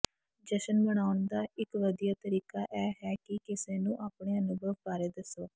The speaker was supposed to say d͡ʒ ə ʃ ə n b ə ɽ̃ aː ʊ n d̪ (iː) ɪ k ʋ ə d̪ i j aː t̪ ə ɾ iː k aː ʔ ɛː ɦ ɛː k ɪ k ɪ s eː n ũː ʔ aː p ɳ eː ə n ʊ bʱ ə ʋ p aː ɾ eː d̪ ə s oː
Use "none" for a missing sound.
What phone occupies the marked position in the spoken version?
aː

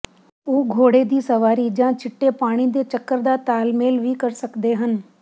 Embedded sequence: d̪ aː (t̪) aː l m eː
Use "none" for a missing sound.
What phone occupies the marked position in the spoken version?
t̪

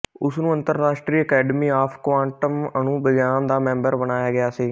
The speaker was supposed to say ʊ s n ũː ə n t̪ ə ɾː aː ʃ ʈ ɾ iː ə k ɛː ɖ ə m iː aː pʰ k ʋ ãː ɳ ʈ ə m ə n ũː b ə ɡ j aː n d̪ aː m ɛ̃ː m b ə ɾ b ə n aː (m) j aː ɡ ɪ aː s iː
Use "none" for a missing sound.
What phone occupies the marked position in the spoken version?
none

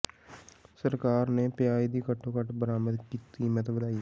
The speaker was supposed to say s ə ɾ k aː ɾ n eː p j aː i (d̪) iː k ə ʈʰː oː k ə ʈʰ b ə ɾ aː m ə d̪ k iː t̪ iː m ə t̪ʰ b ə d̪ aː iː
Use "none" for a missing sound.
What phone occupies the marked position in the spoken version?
d̪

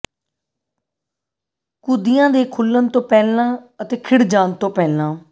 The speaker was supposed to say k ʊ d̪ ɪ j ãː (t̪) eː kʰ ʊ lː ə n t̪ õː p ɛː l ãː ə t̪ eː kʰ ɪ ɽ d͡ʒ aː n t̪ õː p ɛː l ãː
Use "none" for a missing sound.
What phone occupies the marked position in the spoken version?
d̪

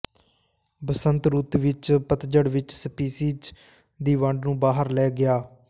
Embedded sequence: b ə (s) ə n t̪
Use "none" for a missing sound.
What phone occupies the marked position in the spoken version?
s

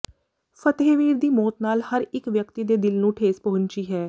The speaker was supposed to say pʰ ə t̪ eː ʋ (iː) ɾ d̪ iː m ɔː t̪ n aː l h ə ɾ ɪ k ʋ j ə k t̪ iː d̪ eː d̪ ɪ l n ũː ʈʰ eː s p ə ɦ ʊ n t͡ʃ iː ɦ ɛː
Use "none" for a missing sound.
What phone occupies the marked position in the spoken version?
iː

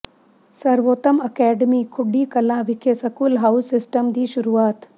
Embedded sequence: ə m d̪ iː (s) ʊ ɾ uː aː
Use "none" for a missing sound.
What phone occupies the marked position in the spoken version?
ʃ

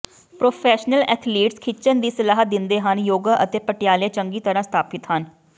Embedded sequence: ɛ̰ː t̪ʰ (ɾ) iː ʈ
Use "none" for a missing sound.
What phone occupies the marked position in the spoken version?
l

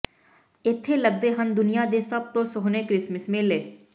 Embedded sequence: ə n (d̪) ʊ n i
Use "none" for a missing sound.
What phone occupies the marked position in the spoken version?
d̪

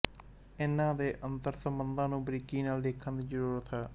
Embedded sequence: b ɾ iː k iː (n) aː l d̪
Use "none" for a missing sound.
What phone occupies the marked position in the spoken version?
n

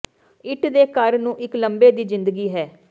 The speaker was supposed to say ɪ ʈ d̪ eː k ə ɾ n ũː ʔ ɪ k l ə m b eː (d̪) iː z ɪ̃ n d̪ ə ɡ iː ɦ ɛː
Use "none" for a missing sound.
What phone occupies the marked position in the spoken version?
d̪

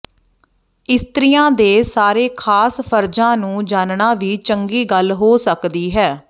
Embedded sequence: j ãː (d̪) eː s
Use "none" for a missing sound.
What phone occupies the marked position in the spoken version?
d̪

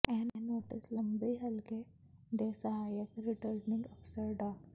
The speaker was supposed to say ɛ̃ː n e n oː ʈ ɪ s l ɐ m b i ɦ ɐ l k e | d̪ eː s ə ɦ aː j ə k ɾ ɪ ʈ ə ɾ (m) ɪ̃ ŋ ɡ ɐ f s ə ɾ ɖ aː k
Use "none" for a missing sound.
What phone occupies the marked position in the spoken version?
n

